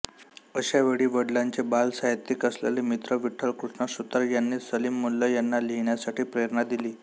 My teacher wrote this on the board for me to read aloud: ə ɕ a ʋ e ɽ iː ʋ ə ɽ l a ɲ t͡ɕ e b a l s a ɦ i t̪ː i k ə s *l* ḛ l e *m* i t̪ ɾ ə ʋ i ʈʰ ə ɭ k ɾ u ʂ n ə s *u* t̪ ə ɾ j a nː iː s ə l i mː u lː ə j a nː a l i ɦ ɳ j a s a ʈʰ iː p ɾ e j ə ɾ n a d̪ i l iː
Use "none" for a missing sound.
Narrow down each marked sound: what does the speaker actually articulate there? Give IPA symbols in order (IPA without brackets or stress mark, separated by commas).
l, m, u